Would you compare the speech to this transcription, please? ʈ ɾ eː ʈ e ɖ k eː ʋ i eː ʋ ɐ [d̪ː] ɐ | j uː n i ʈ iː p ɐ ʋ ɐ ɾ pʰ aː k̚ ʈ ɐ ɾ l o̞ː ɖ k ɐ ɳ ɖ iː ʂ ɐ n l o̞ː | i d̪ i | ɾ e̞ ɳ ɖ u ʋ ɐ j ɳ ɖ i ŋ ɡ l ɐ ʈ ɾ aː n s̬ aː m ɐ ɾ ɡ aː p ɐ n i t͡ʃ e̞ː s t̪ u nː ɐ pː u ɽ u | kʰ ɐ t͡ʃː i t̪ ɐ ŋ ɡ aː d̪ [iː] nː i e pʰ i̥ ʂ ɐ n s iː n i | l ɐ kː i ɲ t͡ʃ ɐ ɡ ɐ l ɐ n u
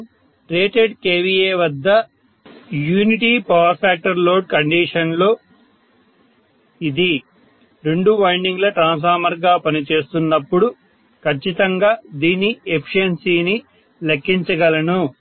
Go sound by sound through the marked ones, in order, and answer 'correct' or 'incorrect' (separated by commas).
correct, correct